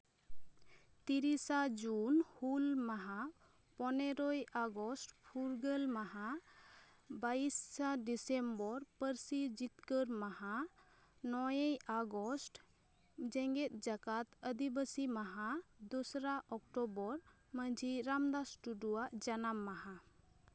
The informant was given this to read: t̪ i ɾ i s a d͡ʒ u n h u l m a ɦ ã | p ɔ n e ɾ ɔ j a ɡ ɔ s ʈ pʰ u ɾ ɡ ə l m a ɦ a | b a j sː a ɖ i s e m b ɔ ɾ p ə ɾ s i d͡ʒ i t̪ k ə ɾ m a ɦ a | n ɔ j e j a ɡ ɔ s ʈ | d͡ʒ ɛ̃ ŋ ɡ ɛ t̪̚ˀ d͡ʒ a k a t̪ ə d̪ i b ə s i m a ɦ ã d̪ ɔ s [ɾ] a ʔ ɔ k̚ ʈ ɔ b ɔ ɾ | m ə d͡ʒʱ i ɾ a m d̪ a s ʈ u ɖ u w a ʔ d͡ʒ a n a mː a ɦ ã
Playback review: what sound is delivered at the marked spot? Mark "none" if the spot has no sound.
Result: ɾ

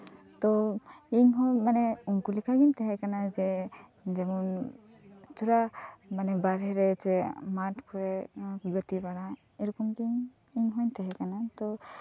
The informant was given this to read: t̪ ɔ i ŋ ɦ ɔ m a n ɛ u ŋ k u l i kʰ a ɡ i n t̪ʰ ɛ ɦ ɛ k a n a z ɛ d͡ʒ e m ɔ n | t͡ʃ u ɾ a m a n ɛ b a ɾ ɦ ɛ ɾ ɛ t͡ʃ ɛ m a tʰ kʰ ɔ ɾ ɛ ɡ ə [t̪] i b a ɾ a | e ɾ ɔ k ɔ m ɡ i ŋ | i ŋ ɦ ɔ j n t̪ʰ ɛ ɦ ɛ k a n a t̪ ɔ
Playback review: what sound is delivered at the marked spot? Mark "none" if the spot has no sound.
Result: t̪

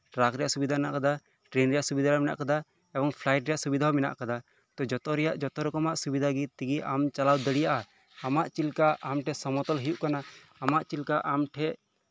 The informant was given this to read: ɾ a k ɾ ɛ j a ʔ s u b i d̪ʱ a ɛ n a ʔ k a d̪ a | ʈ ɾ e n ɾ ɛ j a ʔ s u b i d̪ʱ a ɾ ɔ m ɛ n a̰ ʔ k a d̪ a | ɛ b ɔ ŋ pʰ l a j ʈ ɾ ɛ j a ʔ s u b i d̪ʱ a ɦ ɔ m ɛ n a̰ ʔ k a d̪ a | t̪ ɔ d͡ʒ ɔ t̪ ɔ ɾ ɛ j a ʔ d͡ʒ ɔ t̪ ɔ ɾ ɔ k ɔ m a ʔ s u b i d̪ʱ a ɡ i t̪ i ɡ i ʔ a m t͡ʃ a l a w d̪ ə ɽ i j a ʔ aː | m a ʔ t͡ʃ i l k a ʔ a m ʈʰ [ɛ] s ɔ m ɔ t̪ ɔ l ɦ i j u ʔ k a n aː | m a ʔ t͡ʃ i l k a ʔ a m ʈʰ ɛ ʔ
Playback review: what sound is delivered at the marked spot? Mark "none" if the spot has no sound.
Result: ɛ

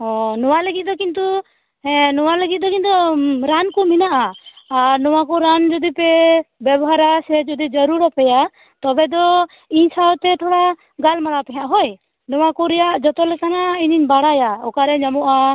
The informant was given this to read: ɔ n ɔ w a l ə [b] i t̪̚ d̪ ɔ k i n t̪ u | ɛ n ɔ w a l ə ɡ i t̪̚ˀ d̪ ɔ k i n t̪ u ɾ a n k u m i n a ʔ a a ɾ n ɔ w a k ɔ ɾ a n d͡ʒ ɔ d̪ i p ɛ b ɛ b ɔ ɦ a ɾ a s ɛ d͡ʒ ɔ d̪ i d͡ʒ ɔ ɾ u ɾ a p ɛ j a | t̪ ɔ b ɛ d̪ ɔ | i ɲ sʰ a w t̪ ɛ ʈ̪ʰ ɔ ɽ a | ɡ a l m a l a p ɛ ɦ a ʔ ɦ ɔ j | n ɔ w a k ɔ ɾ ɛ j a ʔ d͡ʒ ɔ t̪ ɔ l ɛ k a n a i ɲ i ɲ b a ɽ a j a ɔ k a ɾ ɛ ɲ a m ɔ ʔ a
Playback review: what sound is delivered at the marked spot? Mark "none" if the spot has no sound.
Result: ɡ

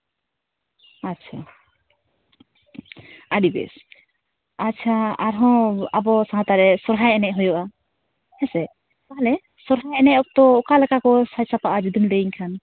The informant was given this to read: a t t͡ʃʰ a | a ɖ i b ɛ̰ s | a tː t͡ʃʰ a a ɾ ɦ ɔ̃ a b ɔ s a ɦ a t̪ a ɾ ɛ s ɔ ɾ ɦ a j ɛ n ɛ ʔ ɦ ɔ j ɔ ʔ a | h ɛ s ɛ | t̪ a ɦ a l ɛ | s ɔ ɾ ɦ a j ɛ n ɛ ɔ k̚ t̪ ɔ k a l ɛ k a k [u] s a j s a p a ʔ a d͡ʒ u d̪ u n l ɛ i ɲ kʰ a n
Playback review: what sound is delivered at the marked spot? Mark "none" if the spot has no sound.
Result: ɔ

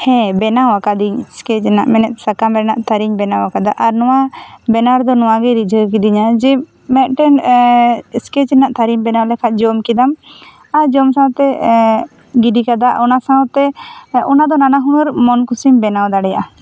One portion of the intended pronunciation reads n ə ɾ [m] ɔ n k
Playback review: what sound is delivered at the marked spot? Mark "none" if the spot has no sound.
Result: m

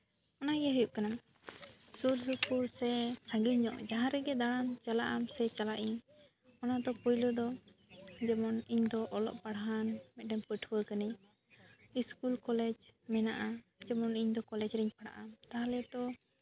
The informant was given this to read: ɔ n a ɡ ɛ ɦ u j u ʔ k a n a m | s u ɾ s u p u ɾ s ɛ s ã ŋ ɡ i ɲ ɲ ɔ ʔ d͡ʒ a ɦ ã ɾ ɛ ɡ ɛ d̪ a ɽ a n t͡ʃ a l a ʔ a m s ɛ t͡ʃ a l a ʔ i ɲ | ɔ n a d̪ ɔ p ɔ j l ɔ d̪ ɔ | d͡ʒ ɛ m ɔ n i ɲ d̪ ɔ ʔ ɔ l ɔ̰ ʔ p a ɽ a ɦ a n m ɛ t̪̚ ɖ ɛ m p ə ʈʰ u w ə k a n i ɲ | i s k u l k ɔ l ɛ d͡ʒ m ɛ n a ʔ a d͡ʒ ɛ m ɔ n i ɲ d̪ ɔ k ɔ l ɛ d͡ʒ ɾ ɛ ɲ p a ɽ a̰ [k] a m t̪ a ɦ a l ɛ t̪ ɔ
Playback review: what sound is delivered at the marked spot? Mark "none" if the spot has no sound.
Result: ʔ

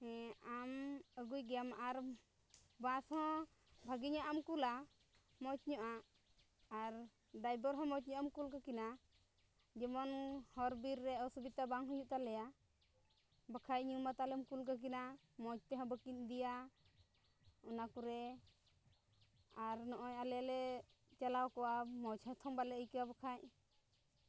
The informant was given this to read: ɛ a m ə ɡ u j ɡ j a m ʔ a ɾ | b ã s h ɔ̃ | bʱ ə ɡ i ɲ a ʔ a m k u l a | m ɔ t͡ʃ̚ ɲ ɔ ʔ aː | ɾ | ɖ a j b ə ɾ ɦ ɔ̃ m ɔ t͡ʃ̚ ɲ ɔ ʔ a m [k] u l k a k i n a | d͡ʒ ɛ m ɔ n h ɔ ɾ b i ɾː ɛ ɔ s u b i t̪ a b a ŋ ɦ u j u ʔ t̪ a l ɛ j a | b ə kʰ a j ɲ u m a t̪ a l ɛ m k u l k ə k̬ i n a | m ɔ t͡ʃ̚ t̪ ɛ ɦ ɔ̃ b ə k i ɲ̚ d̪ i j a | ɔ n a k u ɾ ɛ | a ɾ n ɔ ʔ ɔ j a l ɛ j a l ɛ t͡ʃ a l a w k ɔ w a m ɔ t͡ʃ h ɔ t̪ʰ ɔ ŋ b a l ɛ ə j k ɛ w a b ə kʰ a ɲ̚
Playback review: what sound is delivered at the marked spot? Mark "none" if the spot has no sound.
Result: k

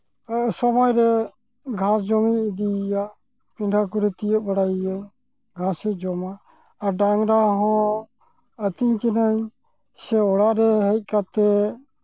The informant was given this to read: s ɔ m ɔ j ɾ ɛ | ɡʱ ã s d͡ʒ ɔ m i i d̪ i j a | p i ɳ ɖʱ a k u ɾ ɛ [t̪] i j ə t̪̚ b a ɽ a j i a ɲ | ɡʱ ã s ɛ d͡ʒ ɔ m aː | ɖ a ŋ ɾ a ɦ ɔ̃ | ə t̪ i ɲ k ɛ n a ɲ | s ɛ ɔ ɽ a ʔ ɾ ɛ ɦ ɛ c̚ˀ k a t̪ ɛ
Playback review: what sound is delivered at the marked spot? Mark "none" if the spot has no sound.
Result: t̪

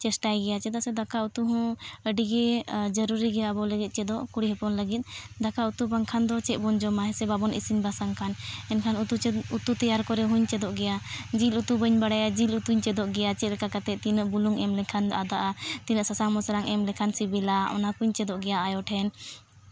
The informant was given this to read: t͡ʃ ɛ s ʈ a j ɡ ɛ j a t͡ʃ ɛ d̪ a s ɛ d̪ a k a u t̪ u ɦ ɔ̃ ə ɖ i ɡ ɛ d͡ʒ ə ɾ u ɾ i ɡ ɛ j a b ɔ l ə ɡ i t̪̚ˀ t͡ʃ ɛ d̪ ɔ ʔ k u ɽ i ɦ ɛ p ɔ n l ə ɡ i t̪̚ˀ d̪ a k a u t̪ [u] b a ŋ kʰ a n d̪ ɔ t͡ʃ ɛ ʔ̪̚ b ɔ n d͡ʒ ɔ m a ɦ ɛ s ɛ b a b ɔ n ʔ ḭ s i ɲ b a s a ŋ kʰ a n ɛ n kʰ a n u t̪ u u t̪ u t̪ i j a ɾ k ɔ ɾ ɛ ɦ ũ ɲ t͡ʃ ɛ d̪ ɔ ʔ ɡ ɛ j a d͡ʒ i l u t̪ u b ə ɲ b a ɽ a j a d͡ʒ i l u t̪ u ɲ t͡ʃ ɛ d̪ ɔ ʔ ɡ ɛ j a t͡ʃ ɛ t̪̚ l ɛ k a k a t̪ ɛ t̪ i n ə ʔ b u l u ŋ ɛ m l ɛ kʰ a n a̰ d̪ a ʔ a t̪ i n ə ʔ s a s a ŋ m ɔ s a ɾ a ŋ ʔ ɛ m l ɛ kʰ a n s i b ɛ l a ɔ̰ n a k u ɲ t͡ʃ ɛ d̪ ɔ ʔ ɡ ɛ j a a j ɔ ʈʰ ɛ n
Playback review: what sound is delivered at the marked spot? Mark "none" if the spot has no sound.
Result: u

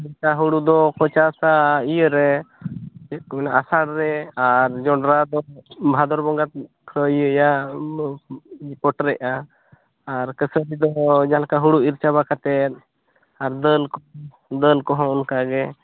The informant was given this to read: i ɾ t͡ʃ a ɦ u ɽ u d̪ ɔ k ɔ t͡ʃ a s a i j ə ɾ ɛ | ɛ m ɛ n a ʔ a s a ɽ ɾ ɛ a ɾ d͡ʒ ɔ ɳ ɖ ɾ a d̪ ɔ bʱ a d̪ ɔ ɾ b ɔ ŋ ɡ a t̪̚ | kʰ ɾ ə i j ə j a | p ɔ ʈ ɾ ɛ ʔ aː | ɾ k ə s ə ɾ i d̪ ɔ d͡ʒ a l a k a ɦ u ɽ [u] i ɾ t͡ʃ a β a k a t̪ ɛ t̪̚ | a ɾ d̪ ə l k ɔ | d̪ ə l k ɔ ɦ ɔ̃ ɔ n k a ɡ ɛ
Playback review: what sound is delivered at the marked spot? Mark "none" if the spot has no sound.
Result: u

